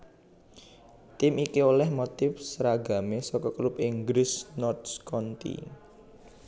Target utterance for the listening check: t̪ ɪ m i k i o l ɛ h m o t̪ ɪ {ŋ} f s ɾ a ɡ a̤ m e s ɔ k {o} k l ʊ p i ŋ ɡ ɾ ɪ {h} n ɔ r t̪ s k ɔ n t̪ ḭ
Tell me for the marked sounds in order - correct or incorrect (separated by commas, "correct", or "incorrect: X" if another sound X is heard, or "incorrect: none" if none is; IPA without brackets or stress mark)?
incorrect: none, incorrect: ɔ, incorrect: s